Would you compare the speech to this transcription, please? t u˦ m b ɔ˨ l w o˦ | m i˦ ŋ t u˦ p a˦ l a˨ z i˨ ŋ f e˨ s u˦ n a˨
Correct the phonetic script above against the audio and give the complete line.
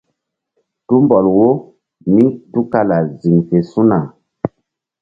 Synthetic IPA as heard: t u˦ m b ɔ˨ l w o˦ | m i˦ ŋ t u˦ k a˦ l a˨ z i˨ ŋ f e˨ s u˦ n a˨